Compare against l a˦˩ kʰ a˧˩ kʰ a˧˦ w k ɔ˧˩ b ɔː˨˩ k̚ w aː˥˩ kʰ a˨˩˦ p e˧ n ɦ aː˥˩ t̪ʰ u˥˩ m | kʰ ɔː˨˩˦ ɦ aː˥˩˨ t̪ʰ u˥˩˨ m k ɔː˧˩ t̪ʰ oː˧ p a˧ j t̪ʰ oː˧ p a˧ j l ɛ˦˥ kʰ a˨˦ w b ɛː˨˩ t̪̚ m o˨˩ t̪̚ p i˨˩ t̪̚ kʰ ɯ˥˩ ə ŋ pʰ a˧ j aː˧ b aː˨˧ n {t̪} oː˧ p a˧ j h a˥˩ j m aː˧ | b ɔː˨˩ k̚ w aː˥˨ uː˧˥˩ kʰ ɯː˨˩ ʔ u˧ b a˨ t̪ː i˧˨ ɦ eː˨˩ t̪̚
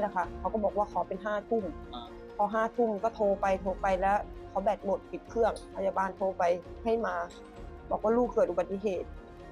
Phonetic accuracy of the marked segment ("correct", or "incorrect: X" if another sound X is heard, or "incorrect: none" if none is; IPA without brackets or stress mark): incorrect: t̪ʰ